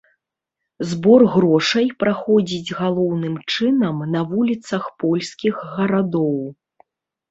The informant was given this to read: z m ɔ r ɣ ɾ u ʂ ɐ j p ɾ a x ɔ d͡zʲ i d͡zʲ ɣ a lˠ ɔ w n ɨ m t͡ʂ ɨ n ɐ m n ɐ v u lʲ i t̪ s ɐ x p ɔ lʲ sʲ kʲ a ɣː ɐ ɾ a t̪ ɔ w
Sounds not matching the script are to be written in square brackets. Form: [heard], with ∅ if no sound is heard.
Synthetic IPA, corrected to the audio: z [b] ɔ r ɣ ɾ [ɔ] ʂ ɐ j p ɾ a x ɔ d͡zʲ i d͡zʲ ɣ a lˠ ɔ w n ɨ m t͡ʂ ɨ n ɐ m n ɐ v u lʲ i t̪ s ɐ x p ɔ lʲ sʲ kʲ [i] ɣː ɐ ɾ a [d̪] ɔ w